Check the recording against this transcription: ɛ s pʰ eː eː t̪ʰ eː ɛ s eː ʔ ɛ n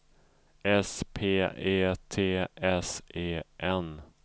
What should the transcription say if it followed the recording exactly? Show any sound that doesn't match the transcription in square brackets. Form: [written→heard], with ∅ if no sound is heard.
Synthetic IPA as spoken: ɛ s pʰ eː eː t̪ʰ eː ɛ s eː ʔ ɛ n